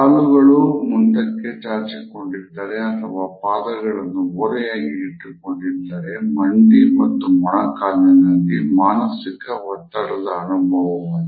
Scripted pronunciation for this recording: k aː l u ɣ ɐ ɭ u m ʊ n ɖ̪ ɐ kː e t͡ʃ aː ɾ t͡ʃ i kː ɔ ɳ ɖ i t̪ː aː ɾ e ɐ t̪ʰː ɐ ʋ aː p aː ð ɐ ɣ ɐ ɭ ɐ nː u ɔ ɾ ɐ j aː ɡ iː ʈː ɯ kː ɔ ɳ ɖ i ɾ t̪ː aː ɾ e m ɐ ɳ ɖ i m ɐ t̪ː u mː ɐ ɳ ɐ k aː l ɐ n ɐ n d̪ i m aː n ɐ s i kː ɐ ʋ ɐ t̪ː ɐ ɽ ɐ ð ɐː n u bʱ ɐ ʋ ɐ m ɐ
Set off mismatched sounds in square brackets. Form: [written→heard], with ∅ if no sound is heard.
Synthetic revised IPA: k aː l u ɣ ɐ ɭ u m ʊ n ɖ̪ ɐ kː e t͡ʃ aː ɾ t͡ʃ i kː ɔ ɳ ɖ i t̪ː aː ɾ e ɐ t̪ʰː ɐ ʋ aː p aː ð ɐ ɣ ɐ ɭ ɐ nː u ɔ ɾ ɐ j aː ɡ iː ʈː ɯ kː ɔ ɳ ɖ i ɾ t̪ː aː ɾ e m ɐ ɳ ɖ i m ɐ t̪ː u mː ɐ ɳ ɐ k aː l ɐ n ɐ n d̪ i m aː n ɐ s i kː ɐ ʋ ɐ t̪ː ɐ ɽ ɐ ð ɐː n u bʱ ɐ ʋ ɐ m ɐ